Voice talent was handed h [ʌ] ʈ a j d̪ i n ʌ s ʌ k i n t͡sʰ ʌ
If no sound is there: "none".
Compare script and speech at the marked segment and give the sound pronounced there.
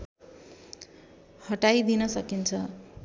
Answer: ʌ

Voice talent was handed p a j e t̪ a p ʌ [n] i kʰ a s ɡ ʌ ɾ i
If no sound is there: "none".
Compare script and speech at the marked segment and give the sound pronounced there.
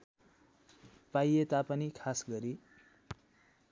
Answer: n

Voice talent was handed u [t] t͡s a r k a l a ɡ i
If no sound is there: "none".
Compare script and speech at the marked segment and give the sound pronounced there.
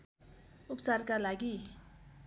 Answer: p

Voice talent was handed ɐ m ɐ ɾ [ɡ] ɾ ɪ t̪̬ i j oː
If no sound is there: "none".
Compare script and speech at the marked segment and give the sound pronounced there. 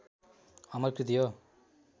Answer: k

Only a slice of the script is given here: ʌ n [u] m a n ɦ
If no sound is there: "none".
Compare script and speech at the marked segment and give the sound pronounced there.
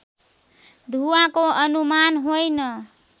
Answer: u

